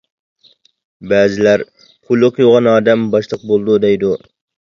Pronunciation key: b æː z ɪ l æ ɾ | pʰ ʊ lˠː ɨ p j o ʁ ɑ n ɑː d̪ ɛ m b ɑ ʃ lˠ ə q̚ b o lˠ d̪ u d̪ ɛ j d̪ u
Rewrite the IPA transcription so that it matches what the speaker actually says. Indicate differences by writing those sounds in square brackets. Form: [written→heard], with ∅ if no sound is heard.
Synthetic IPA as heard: b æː z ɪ l æ ɾ | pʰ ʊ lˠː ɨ [p→q] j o ʁ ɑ n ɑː d̪ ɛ m b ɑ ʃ lˠ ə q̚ b o lˠ d̪ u d̪ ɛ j d̪ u